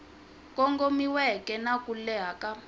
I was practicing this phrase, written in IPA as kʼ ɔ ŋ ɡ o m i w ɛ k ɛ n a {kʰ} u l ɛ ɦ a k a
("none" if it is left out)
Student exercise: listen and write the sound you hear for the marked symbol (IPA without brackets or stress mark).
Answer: k